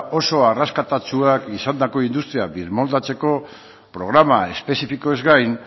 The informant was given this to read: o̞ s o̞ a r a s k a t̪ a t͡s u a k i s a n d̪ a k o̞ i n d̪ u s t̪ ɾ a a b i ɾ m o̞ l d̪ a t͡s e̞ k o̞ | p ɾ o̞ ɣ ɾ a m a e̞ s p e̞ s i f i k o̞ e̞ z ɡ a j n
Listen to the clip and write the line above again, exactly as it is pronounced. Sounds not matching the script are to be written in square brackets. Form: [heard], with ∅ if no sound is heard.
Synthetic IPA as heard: o̞ s o̞ a r a s k a t̪ a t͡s u a k i s a n d̪ a k o̞ i n d̪ u s t̪ ɾ [i] a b i ɾ m o̞ l d̪ a t͡s e̞ k o̞ | p ɾ o̞ ɣ ɾ a m a e̞ s p e̞ s i f i k o̞ e̞ z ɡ a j n